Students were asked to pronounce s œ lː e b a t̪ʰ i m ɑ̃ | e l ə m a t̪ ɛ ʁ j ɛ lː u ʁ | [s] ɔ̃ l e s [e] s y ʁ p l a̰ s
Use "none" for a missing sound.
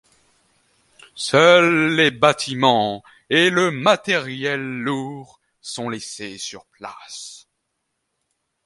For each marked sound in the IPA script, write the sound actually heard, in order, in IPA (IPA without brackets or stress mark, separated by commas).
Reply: s, e